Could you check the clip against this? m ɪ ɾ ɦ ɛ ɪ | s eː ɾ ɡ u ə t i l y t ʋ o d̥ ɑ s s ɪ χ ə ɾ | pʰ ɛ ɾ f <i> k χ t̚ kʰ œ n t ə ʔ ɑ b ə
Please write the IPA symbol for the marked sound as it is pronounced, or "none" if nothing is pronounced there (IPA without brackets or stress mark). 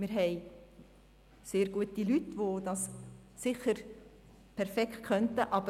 ɛ